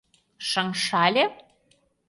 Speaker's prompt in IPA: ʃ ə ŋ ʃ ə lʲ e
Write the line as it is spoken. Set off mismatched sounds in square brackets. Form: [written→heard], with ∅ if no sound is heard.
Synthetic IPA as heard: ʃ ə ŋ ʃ [ə→ɑ] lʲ e